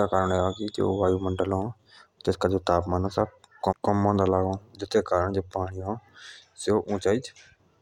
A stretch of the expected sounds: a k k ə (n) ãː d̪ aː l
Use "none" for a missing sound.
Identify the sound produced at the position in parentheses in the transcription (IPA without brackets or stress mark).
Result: m